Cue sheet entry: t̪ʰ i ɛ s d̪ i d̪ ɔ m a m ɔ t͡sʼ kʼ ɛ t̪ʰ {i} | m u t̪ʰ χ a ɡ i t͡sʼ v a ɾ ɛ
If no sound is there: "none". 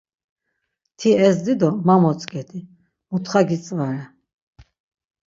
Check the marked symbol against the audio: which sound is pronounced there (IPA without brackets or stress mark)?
i